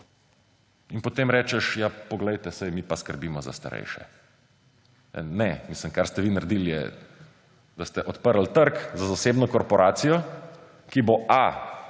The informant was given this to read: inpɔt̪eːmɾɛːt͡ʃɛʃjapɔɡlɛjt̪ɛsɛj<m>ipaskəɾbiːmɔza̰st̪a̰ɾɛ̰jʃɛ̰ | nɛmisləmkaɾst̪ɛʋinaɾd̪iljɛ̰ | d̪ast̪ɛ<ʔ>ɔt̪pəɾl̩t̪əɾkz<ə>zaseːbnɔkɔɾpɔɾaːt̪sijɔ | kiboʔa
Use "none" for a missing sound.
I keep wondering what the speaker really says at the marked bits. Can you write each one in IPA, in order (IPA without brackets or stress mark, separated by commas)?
m, ʔ, a